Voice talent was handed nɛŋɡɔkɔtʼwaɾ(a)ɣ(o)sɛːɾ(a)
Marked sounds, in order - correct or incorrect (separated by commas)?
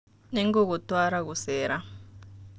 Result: correct, incorrect, correct